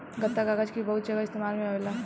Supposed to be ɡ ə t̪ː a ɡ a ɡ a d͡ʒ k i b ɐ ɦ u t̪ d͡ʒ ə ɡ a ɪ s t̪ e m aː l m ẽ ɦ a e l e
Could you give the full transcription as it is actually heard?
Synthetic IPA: ɡ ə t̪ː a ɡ a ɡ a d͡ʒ k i b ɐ ɦ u t̪ d͡ʒ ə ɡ a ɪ s t̪ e m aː l m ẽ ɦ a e l a